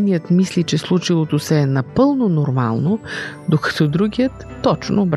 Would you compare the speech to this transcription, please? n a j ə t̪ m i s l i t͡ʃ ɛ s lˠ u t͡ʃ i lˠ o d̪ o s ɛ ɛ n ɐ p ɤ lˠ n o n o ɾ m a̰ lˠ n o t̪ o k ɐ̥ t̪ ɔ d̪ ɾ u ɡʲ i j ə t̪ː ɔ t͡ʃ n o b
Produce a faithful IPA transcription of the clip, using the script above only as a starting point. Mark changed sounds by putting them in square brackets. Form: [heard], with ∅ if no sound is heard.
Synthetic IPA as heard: n [i] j ə t̪ m i s l i t͡ʃ ɛ s lˠ u t͡ʃ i lˠ o [t̪] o s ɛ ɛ n ɐ p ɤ lˠ n o n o ɾ m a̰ lˠ n o [d̪] o k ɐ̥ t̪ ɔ d̪ ɾ u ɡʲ i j ə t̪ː ɔ t͡ʃ n o b